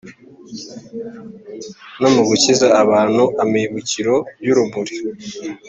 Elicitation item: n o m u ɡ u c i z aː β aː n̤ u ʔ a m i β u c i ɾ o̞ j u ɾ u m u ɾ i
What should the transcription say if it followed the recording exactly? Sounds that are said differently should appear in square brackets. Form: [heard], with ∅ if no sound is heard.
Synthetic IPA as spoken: n o m u ɡ u c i z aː β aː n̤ u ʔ a m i β u c i ɾ o̞ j u ɾ u m u ɾ i